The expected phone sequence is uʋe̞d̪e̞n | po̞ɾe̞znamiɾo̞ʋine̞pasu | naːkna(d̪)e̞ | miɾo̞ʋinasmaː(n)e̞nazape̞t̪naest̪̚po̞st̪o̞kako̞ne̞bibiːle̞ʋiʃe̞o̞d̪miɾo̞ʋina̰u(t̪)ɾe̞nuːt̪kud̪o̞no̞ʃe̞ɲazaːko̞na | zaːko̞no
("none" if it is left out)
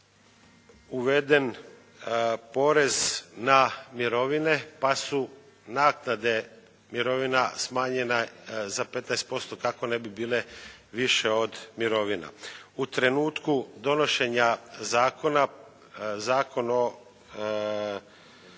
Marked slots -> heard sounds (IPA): d̪, ɲ, t̪

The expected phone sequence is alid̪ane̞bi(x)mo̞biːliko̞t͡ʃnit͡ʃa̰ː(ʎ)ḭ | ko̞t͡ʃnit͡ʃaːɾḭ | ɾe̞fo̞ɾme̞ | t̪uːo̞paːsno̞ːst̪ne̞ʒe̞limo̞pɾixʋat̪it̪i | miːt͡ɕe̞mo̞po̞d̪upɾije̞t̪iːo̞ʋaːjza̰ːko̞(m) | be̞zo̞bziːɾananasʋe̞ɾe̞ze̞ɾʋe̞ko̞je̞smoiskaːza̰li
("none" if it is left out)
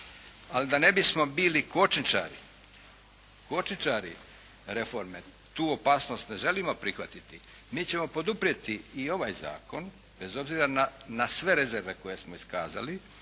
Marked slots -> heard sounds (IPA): s, ɾ, n

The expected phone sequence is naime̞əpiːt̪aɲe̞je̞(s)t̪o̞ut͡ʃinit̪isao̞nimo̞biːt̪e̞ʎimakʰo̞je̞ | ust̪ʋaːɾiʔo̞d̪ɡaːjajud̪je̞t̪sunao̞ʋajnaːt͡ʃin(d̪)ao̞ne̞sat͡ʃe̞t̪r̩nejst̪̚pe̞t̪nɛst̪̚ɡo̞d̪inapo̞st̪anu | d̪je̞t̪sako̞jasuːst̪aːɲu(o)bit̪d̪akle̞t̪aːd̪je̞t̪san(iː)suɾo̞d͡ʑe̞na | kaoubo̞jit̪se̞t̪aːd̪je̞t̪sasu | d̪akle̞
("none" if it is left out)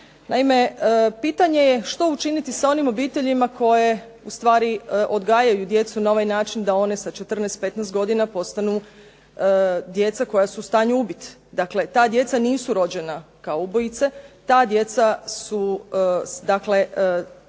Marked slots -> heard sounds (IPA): ʃ, d̪, u, iː

